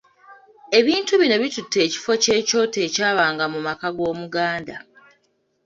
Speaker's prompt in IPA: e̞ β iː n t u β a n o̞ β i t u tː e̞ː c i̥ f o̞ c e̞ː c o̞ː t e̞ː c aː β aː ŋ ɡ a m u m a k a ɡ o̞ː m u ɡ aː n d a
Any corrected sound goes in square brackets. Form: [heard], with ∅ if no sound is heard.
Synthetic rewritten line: e̞ β iː n t u β [i] n o̞ β i t u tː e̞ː c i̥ f o̞ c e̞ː c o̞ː t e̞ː c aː β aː ŋ ɡ a m u m a k a ɡ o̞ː m u ɡ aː n d a